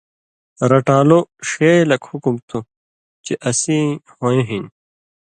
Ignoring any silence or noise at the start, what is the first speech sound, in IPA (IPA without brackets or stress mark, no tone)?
ɾ